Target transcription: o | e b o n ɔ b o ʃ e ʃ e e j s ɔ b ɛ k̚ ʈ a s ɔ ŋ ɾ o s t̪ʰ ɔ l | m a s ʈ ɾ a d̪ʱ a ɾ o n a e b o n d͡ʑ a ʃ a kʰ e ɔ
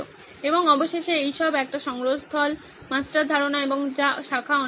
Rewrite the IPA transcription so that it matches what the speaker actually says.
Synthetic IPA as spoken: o | e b o ŋ ɔ b o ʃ e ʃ e e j ʃ ɔ b ɛ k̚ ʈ a ʃ ɔ ŋ ɾ o s t̪ʰ ɔ l | m a s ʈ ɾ a d̪ʱ a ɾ o n a e b o ŋ d͡ʑ a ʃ a kʰ a ɔ